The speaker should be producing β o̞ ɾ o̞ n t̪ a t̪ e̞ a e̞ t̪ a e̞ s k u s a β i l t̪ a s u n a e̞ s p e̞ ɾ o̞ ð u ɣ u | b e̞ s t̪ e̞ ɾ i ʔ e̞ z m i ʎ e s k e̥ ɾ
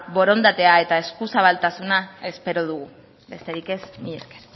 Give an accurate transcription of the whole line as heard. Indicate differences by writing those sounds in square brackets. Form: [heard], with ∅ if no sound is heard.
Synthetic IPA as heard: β o̞ ɾ o̞ n [d̪] a t̪ e̞ a e̞ t̪ a e̞ s k u s a β [a] l t̪ a s u n a e̞ s p e̞ ɾ o̞ ð u ɣ u | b e̞ s t̪ e̞ ɾ i [k] e̞ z m i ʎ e s k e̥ ɾ